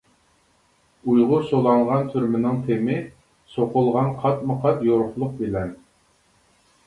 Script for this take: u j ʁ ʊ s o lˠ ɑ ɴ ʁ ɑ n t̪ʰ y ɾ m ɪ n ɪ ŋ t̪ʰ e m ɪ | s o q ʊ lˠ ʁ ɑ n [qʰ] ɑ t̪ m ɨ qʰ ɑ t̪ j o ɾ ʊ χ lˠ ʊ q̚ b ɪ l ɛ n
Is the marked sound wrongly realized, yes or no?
no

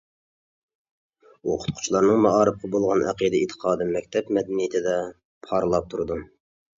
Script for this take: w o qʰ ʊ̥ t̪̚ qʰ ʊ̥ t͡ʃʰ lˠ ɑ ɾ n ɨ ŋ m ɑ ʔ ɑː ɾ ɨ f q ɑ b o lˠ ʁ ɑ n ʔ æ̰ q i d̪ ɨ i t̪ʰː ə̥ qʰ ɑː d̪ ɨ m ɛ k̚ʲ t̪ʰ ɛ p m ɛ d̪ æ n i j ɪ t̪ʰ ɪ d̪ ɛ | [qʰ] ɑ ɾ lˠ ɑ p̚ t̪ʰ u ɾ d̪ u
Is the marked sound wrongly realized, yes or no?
yes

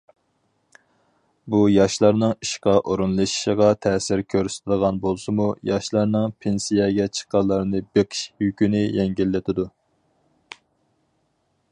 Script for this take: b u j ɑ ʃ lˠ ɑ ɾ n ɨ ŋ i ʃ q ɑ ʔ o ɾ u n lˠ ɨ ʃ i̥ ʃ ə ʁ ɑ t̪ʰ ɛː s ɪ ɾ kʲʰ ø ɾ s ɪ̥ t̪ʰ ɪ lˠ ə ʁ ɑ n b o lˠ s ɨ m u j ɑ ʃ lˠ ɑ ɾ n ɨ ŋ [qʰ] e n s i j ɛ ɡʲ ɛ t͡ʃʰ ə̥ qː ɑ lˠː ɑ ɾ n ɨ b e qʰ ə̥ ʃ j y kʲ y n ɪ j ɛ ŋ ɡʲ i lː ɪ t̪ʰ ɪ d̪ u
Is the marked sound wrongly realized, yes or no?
yes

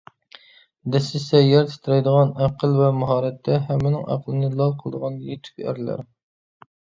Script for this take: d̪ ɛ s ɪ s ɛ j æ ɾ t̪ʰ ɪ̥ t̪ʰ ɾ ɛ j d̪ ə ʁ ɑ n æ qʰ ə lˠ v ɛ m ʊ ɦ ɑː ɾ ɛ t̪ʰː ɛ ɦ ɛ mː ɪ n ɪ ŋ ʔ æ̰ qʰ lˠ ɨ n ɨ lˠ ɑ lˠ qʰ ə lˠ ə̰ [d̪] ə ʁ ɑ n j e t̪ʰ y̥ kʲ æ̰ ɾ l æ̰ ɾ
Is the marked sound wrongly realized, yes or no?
no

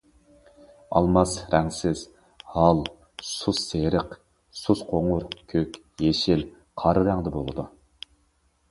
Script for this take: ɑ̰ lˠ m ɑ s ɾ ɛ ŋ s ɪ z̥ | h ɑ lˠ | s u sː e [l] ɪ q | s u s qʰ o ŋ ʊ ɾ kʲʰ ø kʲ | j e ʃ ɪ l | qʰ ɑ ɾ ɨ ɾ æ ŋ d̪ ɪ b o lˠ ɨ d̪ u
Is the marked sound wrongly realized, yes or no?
yes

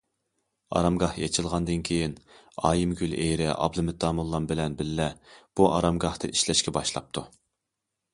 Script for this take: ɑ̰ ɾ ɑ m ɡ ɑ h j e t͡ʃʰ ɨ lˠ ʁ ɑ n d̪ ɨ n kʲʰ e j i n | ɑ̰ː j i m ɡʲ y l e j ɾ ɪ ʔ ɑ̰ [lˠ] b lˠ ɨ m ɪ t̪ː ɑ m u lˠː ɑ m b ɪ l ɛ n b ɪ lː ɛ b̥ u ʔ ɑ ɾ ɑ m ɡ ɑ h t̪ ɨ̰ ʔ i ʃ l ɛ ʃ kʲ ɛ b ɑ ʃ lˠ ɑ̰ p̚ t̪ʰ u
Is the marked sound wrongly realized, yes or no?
yes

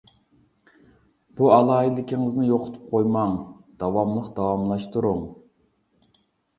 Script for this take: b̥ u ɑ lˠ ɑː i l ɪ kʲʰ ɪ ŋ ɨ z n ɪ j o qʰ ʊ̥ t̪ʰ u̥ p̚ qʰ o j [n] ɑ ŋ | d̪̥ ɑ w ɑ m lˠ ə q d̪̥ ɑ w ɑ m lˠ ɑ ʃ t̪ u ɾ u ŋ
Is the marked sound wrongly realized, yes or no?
yes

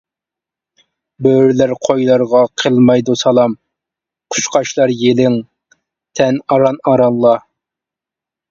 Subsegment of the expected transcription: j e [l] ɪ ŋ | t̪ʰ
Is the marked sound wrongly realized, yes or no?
no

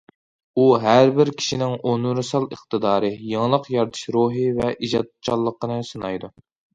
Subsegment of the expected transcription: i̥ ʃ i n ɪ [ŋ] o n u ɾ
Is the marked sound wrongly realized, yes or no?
no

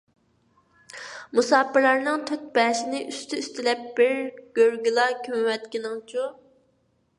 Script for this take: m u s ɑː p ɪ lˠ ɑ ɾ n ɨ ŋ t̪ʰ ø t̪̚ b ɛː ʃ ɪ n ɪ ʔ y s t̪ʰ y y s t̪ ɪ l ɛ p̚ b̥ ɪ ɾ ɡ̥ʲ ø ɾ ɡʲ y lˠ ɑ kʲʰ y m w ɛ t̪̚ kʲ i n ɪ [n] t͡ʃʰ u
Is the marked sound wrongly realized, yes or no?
yes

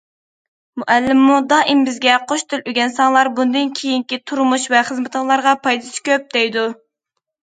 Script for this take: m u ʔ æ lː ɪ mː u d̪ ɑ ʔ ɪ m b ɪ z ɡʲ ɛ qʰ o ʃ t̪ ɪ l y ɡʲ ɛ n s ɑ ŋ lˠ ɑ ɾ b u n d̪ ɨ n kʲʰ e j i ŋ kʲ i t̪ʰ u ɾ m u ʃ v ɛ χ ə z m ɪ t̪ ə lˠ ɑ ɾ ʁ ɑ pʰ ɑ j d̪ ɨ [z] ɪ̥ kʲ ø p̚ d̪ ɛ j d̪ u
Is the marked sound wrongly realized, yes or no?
yes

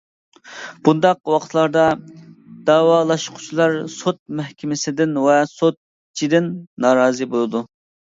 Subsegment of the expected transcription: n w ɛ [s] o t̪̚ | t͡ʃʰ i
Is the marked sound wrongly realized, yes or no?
no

